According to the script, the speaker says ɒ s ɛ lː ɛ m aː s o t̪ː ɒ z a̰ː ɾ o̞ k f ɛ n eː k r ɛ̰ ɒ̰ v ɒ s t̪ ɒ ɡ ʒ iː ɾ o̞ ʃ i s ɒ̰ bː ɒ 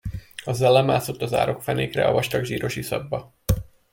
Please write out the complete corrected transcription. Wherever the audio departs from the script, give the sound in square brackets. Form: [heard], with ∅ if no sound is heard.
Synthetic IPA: ɒ [z] ɛ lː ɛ m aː s o t̪ː ɒ z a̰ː ɾ o̞ k f ɛ n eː k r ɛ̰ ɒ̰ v ɒ [ʃ] t̪ ɒ ɡ ʒ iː ɾ o̞ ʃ i s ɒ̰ bː ɒ